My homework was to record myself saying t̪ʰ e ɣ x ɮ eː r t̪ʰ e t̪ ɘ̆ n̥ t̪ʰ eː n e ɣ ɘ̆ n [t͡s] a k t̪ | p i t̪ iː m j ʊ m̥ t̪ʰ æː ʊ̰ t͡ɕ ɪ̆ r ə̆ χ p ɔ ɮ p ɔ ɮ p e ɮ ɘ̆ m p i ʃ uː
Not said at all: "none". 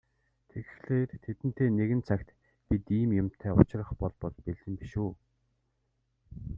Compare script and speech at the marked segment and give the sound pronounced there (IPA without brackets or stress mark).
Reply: t͡sʰ